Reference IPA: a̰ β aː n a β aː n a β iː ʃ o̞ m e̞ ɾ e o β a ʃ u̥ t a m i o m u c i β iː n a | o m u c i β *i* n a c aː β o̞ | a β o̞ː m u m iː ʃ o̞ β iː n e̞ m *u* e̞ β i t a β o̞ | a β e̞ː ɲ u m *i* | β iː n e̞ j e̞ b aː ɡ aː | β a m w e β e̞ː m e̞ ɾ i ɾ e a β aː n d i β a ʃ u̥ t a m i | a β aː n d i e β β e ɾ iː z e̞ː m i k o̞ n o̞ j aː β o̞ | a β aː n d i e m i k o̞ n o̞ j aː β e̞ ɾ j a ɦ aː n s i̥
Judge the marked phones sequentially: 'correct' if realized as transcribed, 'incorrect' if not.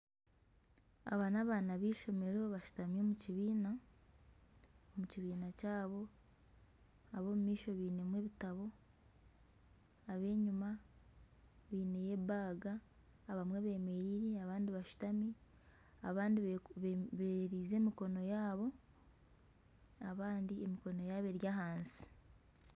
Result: incorrect, incorrect, incorrect

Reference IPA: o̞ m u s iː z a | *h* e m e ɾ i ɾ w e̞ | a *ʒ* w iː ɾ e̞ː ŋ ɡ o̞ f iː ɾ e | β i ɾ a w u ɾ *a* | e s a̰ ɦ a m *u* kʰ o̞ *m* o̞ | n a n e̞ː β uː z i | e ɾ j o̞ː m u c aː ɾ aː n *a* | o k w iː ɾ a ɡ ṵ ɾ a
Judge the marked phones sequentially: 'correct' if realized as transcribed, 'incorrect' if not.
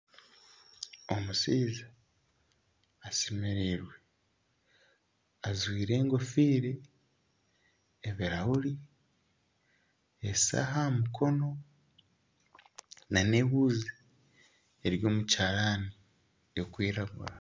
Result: incorrect, incorrect, incorrect, correct, incorrect, incorrect

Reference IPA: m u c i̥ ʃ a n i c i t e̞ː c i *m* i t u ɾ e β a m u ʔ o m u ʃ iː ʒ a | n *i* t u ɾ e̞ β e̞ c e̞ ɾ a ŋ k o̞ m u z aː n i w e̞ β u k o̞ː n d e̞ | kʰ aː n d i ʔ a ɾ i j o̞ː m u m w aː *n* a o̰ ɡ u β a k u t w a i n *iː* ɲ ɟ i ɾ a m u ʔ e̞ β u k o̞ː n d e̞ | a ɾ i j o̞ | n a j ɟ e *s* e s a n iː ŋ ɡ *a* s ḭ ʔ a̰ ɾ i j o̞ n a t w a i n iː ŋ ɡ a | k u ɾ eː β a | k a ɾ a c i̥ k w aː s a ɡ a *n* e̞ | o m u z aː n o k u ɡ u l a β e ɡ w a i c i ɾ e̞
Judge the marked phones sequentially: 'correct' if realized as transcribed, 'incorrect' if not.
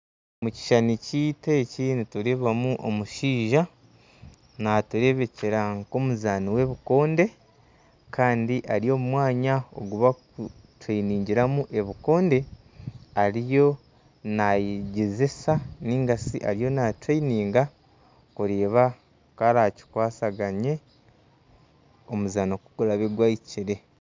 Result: incorrect, incorrect, incorrect, correct, incorrect, correct, incorrect

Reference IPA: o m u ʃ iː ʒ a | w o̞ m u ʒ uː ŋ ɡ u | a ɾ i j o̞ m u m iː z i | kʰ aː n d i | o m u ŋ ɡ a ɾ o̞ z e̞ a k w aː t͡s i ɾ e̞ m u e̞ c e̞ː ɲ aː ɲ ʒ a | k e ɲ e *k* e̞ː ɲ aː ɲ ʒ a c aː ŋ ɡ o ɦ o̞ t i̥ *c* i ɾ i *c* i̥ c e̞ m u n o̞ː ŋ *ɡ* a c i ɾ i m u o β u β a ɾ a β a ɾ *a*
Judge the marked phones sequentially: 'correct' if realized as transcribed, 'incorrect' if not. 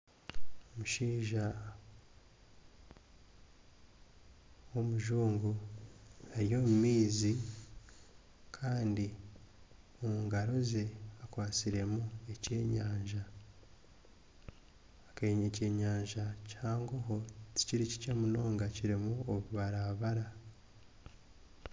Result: incorrect, correct, correct, correct, correct

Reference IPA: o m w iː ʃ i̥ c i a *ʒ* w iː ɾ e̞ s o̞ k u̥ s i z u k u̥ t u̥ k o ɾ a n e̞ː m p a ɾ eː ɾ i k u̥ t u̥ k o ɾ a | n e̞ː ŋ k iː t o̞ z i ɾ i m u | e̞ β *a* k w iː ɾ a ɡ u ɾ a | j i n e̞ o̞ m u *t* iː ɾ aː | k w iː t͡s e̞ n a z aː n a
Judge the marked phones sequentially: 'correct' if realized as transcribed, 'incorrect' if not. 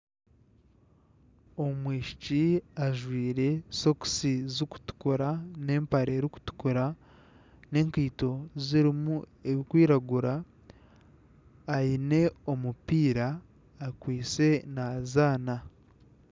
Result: correct, incorrect, incorrect

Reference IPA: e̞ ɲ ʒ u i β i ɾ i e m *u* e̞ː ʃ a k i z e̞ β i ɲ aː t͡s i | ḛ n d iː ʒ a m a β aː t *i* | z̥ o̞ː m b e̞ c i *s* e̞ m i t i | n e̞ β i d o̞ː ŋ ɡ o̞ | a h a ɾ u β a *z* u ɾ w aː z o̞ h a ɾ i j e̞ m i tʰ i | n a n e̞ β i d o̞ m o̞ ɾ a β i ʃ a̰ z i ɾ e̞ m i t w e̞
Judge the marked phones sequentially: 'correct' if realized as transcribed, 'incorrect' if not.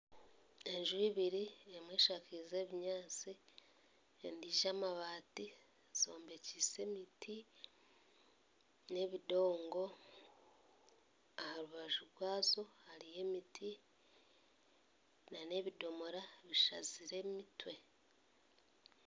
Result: incorrect, correct, correct, incorrect

